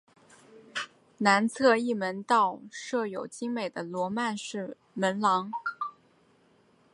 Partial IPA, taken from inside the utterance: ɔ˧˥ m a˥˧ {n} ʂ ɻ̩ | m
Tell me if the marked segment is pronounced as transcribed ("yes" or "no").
yes